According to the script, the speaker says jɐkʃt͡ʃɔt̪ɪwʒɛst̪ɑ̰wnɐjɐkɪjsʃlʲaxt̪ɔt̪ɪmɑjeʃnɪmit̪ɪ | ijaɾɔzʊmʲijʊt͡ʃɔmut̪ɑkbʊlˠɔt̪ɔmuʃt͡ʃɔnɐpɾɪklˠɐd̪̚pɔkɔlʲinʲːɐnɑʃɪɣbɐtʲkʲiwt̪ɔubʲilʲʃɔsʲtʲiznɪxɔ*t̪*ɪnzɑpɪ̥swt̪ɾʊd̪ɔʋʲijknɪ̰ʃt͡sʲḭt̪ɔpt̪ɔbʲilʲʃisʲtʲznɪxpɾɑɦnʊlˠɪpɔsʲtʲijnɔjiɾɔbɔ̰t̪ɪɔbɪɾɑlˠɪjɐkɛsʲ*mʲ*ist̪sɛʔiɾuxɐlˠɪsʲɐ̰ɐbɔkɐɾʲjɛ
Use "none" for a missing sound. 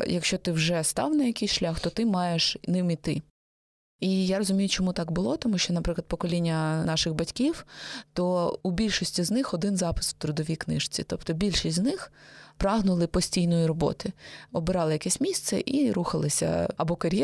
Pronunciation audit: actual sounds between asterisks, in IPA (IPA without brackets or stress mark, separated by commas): d̪, mʲ